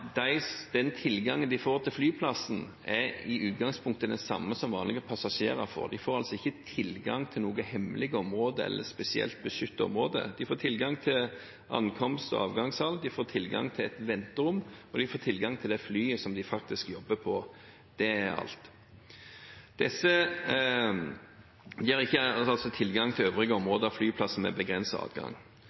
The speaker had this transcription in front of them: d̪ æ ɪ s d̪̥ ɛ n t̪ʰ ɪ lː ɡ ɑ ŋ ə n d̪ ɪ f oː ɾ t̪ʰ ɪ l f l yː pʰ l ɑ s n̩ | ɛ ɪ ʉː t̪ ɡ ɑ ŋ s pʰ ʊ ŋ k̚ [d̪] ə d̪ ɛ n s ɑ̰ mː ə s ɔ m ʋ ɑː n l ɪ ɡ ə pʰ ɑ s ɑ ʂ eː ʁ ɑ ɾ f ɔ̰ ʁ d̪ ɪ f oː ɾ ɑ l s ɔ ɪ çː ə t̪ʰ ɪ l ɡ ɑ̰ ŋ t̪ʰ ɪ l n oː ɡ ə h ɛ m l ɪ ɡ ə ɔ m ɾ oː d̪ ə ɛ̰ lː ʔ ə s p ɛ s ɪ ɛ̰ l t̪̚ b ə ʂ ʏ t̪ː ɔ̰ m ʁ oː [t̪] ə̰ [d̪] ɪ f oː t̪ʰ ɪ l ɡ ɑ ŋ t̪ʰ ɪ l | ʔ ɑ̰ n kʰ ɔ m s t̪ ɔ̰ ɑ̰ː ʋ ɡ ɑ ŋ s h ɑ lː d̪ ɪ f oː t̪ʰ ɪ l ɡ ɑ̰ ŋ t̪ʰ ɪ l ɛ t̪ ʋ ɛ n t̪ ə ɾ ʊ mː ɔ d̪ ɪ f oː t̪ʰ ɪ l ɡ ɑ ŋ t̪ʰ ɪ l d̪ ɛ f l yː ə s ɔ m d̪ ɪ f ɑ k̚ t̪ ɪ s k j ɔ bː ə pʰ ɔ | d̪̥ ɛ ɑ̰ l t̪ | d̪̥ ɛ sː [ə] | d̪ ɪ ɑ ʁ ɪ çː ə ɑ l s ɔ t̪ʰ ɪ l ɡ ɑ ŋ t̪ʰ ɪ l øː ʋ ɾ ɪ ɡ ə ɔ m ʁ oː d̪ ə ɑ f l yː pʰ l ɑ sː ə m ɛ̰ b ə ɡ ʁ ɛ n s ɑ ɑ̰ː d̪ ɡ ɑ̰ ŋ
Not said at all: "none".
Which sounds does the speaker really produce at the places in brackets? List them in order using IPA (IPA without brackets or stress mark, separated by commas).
t̪, d̪, d̪, ə